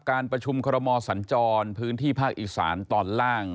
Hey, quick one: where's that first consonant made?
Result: velum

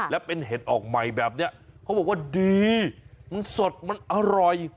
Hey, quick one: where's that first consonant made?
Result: tongue tip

